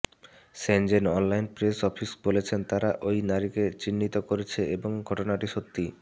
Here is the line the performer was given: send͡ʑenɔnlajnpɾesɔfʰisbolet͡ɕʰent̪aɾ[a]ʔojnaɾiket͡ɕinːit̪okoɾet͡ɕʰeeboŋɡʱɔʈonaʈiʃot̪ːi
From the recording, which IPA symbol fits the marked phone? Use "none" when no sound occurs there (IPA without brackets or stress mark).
a